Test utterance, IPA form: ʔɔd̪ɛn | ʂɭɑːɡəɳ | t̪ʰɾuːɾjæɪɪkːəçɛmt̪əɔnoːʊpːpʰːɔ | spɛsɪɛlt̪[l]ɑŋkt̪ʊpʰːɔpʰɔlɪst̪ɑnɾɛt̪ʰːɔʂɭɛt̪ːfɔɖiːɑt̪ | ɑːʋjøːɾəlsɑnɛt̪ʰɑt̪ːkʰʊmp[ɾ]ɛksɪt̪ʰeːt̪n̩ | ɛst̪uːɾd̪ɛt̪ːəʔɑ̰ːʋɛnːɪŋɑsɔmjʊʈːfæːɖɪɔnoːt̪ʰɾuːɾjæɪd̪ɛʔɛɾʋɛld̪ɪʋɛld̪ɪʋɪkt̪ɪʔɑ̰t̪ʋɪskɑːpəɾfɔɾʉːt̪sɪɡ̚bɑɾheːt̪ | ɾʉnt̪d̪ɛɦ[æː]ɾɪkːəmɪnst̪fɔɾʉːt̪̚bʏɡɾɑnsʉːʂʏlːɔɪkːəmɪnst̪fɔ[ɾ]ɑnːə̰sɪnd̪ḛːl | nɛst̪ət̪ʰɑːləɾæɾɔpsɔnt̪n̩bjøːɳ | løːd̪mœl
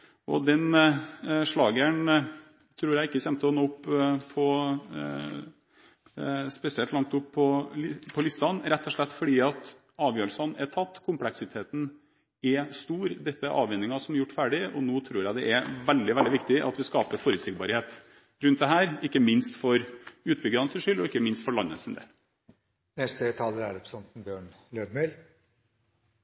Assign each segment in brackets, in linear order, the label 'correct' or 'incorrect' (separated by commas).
correct, incorrect, correct, incorrect